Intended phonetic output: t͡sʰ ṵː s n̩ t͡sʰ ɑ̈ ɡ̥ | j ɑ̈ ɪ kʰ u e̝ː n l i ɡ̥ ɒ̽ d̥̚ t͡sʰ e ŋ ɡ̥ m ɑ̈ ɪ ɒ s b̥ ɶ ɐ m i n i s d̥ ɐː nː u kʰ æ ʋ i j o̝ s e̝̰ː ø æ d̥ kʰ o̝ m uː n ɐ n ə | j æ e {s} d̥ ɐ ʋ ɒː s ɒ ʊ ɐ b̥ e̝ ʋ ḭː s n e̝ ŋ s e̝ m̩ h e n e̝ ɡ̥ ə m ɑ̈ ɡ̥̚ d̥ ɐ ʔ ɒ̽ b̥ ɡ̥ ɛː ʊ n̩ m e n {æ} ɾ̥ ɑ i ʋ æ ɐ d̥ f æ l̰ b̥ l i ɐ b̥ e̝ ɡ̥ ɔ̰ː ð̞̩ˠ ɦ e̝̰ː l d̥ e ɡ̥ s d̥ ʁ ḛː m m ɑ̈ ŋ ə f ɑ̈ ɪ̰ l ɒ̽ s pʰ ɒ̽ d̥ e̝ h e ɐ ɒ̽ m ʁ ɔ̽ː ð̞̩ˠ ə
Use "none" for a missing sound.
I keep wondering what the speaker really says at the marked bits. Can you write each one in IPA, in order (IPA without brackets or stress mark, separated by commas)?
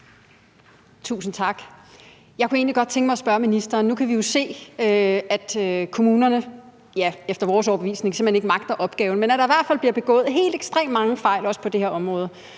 f, æ